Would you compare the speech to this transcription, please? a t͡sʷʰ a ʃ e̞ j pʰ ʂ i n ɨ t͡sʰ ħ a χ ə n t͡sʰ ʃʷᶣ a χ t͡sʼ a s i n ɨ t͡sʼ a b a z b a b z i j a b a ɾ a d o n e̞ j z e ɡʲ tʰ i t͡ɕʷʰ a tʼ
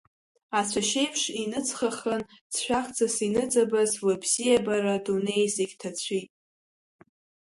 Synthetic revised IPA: a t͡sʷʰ a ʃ e̞ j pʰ ʂ i n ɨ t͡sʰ χ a χ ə n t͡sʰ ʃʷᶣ a χ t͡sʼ a s i n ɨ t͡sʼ a b a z w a b z i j a b a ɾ a d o n e̞ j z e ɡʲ tʰ a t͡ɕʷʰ i tʼ